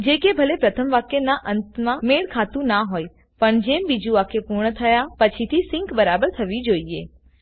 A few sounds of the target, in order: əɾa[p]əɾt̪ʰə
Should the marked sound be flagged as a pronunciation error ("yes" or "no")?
yes